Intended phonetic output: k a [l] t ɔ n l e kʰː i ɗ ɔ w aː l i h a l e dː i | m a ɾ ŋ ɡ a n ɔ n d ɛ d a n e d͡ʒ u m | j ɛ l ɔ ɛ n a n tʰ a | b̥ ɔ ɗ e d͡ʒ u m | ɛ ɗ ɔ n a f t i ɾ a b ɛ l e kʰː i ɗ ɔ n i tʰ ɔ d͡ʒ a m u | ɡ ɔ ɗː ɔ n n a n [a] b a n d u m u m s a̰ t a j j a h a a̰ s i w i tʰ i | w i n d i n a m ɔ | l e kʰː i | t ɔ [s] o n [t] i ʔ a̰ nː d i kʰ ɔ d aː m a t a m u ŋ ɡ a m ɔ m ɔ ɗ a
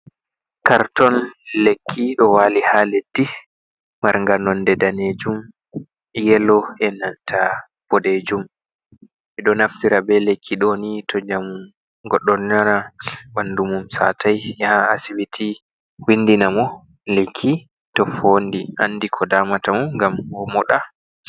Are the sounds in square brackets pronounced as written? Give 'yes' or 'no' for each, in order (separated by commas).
no, yes, no, no